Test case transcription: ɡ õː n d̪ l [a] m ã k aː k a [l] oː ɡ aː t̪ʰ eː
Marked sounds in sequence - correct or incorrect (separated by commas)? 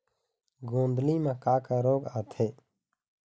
incorrect, incorrect